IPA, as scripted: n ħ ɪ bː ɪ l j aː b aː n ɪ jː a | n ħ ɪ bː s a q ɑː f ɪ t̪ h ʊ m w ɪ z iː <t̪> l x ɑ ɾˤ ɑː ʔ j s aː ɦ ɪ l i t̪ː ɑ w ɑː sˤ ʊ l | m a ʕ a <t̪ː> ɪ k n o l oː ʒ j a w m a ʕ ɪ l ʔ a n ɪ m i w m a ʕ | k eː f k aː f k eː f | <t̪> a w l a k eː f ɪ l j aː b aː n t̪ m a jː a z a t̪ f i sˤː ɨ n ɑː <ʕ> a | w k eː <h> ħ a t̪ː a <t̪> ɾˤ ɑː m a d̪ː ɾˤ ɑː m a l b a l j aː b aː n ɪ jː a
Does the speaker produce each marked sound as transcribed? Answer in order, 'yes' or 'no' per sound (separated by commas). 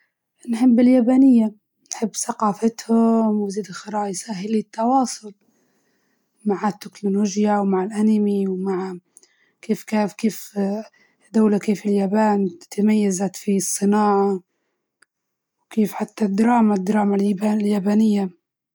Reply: no, yes, no, yes, no, no